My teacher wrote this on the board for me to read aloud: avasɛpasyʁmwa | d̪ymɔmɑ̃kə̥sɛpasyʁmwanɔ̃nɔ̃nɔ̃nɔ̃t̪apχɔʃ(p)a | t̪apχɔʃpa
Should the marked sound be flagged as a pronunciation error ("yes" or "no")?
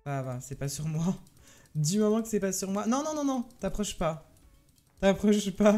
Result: no